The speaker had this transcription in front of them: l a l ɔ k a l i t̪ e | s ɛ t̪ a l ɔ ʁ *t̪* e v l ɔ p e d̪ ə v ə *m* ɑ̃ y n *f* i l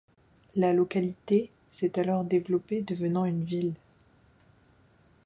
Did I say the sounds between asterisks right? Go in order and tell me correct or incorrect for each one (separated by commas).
incorrect, incorrect, incorrect